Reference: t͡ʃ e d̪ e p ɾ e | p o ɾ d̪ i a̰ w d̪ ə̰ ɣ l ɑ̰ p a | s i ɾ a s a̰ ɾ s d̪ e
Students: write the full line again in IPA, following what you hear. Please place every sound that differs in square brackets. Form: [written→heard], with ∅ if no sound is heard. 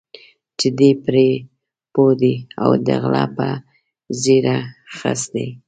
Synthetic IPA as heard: t͡ʃ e d̪ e p ɾ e | p o [ɾ→∅] d̪ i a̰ w d̪ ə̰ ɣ l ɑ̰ p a | [s→z] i ɾ a [s→x] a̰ [ɾ→∅] s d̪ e